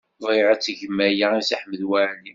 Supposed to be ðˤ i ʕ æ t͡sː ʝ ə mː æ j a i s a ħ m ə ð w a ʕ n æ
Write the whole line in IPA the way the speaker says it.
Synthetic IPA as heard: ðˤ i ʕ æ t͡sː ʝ ə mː æ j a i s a ħ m ə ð w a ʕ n i